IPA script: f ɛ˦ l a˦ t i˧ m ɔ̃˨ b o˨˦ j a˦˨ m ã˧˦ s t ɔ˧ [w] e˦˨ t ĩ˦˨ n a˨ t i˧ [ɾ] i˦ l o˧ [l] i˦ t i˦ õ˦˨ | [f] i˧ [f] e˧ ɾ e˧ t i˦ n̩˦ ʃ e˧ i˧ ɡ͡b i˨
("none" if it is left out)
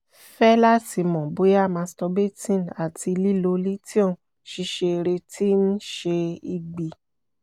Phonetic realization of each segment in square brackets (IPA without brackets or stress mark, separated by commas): b, l, l, ʃ, ʃ